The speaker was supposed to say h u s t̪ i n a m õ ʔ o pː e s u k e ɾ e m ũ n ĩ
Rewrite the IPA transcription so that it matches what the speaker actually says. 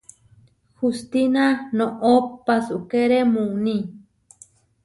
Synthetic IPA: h u s t̪ i n a n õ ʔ o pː a s u k e ɾ e m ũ n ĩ